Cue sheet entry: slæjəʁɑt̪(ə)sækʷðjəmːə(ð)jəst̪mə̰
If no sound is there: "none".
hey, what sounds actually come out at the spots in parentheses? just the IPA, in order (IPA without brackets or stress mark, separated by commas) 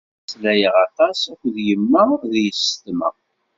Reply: ɑ, ð